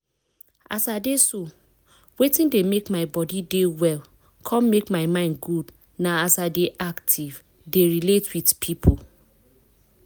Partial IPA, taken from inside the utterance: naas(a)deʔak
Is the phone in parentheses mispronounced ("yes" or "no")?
no